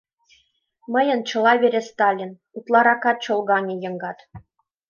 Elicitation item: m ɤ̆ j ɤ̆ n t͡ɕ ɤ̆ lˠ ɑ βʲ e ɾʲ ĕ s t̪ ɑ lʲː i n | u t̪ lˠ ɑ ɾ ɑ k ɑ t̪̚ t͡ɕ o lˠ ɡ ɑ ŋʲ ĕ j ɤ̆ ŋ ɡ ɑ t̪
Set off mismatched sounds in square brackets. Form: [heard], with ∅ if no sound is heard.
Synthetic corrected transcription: m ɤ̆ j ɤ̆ n t͡ɕ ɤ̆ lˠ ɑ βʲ e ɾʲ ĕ s t̪ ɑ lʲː i n | u t̪ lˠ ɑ ɾ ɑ k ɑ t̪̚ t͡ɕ o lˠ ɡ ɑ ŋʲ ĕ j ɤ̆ ŋ ɡ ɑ t̪